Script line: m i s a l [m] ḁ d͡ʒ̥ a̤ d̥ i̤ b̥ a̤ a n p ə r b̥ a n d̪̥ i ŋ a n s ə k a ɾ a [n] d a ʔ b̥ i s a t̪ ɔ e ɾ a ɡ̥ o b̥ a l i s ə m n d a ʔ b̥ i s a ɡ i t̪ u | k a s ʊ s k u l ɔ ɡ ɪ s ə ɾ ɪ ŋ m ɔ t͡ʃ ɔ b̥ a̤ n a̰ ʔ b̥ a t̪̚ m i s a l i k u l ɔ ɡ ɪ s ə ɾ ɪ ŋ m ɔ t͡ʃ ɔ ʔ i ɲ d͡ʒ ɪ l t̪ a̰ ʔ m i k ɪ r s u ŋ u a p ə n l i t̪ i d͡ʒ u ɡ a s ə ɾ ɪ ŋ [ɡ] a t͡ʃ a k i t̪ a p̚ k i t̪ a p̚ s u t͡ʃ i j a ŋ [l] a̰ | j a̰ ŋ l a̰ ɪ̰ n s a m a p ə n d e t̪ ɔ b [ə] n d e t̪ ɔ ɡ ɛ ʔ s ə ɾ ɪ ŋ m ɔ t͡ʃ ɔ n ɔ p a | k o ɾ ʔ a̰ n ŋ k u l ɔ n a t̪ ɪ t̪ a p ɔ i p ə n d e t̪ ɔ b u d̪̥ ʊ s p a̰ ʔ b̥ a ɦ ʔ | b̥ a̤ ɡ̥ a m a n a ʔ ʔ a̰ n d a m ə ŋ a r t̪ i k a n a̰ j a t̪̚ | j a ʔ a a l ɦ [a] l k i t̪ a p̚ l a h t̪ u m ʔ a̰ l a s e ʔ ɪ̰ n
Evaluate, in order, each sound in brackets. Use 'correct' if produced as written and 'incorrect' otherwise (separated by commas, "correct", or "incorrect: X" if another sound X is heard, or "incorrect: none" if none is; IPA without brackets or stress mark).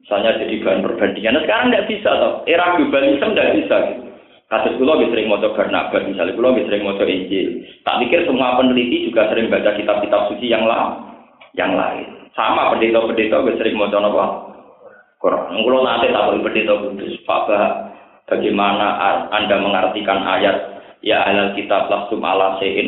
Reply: incorrect: ɲ, incorrect: ŋ, incorrect: b, correct, correct, correct